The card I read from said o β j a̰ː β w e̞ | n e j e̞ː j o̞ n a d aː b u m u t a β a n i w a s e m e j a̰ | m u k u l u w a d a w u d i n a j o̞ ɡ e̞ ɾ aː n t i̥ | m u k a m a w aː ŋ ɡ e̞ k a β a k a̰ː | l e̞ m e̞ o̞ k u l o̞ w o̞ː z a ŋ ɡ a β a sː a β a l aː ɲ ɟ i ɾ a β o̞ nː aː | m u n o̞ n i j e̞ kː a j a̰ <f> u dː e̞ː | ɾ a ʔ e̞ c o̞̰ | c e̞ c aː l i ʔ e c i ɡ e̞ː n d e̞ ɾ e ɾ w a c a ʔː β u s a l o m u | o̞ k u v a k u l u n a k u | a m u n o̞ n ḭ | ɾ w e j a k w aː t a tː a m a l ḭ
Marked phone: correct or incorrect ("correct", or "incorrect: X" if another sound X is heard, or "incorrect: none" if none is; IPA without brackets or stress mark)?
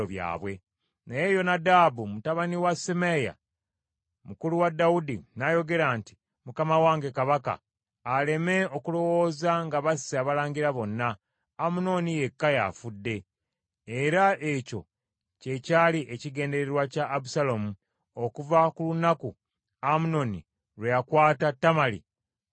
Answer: correct